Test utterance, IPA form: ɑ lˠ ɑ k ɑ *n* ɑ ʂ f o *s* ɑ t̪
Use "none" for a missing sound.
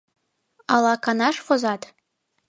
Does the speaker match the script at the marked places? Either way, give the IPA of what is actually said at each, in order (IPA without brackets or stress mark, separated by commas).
n, z